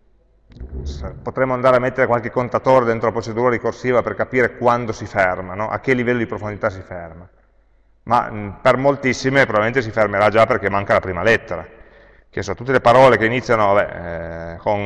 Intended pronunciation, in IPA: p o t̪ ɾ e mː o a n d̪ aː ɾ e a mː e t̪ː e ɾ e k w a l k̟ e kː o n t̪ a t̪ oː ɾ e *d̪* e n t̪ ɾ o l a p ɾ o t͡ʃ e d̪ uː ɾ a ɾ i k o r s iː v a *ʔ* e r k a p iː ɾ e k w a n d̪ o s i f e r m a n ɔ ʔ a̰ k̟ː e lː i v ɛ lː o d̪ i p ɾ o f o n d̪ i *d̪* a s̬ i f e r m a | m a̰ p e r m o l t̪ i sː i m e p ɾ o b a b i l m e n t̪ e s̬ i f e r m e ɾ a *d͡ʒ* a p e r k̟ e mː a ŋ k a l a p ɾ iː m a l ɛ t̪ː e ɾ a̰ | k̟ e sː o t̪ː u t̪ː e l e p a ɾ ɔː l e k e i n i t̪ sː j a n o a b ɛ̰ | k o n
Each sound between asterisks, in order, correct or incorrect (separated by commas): correct, incorrect, incorrect, correct